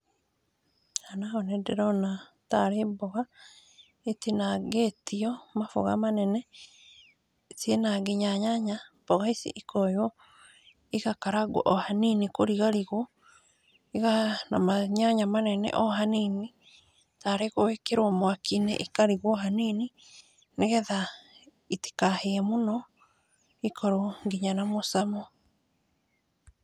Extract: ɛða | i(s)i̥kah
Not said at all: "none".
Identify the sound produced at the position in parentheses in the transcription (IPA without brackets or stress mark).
t